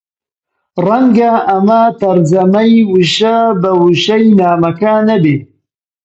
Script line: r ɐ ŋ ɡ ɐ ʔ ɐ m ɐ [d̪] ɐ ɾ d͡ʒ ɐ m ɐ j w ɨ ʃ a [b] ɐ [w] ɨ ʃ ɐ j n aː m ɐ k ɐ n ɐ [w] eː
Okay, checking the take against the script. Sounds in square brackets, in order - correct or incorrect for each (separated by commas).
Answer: incorrect, correct, correct, incorrect